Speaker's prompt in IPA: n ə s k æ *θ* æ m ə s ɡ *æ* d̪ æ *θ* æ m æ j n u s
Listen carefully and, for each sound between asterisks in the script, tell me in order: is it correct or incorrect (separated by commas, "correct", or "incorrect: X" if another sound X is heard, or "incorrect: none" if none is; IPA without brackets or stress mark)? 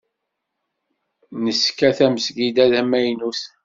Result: correct, incorrect: i, incorrect: ð